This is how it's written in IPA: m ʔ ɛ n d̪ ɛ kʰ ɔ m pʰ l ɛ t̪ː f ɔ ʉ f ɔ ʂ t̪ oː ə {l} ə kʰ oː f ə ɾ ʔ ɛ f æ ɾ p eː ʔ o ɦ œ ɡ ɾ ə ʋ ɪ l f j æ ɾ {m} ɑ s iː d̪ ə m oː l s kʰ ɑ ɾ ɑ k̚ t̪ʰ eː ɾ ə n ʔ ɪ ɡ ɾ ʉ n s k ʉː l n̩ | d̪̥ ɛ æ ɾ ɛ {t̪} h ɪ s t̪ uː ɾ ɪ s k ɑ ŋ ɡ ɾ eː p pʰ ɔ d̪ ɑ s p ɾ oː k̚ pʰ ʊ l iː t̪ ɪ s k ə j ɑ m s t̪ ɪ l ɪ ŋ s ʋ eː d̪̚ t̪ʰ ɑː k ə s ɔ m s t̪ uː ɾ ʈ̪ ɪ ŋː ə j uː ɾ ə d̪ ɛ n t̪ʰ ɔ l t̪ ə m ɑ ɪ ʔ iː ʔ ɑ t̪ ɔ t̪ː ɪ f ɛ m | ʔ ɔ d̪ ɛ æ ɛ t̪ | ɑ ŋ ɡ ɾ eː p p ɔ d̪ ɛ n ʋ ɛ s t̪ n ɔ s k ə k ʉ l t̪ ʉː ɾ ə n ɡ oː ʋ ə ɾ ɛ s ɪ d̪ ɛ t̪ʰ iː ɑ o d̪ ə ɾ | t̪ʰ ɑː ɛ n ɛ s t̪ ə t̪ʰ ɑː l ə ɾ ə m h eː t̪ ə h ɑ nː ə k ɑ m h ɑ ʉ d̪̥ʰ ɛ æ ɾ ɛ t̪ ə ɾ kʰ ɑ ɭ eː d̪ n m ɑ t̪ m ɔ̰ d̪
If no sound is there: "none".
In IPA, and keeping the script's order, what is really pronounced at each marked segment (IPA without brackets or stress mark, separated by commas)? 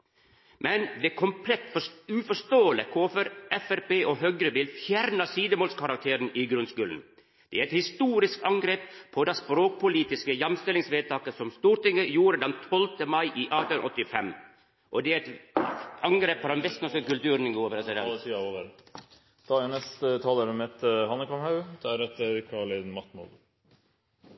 l, n, t̪